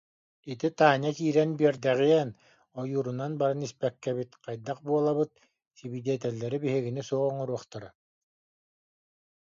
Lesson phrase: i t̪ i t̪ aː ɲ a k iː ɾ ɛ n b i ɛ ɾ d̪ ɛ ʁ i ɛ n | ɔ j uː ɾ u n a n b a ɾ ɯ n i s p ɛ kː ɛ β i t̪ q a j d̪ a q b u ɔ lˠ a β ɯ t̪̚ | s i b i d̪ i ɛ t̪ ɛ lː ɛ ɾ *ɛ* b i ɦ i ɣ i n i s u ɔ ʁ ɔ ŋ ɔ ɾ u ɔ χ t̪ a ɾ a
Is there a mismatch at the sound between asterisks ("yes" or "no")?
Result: yes